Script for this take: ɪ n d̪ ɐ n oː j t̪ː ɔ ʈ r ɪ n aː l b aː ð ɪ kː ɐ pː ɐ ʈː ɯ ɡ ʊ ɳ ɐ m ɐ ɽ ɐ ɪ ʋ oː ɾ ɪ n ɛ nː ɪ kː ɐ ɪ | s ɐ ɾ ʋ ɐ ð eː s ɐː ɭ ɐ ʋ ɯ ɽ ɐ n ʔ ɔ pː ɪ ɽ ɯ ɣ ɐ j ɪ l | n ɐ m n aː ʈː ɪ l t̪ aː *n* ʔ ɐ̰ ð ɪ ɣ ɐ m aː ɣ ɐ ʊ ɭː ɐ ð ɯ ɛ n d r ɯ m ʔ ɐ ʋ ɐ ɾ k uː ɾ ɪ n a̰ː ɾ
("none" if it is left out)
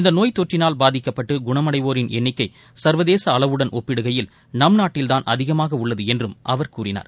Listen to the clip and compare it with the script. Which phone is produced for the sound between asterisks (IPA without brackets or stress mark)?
n